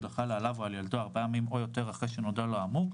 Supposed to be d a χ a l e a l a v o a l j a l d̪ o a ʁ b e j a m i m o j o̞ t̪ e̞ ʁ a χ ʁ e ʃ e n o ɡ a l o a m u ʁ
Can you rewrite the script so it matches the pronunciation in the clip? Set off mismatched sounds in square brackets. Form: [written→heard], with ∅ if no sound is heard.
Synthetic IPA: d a χ a l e a l a v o a l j a l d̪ o a ʁ b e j a m i m o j o̞ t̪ e̞ ʁ a χ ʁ e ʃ e n o [ɡ→d] a l o a m u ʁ